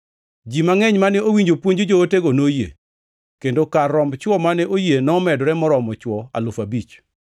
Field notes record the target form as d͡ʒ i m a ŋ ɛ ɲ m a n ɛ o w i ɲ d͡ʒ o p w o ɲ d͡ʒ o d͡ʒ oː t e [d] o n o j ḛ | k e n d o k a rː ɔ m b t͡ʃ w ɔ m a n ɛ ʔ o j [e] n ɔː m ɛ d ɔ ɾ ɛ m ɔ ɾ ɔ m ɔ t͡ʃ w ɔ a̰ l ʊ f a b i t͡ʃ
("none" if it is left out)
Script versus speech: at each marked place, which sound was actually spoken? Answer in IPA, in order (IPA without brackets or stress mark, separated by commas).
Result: ɡ, e